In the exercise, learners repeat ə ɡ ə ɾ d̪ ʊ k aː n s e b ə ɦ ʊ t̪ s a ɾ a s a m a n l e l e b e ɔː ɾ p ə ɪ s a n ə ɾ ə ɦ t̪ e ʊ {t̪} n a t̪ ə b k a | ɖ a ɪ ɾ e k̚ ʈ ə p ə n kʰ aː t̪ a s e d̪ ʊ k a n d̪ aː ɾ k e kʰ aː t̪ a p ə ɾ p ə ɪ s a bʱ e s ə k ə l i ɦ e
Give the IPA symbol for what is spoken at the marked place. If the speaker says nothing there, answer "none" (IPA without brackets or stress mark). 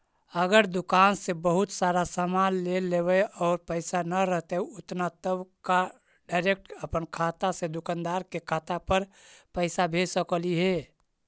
t̪